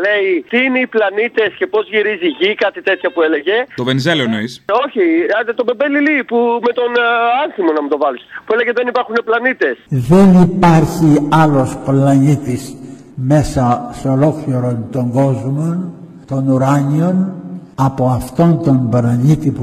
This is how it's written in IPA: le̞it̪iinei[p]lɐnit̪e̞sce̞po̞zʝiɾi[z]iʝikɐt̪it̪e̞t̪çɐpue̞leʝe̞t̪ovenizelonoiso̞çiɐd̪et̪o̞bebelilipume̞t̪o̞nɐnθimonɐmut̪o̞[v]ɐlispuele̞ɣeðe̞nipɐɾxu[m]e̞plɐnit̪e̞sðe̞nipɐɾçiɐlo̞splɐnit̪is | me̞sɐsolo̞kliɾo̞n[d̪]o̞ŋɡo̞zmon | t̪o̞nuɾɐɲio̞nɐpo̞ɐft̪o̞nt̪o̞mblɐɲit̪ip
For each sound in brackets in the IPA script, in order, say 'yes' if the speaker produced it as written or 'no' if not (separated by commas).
yes, yes, yes, no, no